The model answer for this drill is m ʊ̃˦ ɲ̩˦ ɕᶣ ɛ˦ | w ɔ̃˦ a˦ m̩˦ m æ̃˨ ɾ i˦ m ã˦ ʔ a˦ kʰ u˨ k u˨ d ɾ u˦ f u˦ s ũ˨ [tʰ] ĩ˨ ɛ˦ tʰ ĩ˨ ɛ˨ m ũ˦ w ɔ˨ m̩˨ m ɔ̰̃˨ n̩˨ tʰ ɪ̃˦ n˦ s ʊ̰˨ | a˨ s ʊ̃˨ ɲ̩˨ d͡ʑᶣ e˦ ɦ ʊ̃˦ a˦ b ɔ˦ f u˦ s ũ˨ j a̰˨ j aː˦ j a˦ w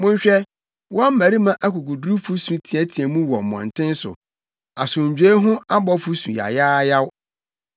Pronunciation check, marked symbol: correct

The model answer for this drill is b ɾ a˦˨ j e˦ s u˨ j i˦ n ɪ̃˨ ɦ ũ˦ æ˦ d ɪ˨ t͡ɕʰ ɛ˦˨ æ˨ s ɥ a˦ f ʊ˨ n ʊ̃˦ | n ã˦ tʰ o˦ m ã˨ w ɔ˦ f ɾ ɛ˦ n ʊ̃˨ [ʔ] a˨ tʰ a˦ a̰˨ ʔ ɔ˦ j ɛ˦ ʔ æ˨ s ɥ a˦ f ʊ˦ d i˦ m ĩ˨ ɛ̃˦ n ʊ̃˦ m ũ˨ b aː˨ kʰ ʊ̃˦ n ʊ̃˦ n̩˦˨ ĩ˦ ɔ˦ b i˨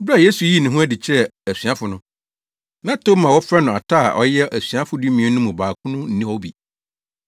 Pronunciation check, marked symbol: incorrect: none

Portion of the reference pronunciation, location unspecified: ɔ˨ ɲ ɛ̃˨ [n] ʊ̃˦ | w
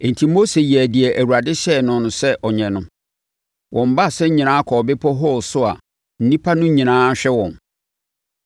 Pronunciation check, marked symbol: correct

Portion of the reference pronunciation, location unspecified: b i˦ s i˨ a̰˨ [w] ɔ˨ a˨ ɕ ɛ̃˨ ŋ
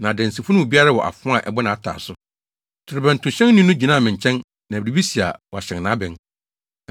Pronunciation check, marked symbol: correct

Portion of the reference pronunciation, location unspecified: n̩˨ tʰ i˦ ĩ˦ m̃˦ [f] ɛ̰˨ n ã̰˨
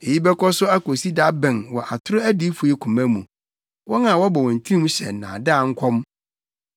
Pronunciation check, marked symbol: incorrect: ɕ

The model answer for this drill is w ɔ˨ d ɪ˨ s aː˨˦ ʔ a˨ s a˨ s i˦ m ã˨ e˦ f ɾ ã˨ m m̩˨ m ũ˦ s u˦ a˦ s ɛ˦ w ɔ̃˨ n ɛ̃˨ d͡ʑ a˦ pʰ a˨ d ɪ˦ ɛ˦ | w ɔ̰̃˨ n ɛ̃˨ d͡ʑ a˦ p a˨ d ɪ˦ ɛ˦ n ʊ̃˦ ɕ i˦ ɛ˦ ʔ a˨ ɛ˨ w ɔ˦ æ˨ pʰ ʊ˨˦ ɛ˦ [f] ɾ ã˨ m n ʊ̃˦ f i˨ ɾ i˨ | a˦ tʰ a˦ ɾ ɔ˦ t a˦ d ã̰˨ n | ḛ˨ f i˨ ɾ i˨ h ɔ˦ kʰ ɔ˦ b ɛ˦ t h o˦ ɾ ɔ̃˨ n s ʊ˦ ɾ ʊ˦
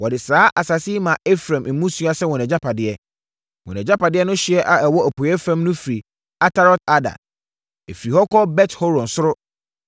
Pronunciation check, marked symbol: correct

